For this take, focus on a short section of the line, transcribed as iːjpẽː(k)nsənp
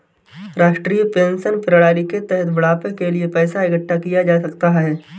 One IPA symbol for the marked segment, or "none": none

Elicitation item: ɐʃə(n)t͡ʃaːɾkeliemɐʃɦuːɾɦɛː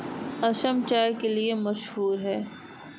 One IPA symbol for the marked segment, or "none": m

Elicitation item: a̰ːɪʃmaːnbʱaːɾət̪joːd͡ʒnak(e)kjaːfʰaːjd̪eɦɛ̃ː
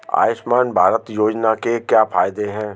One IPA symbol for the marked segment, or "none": e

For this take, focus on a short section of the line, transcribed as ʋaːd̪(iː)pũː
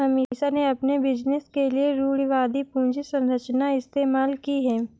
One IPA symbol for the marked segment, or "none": i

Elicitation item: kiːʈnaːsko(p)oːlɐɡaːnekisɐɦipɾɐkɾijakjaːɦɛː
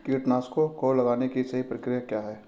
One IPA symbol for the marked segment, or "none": k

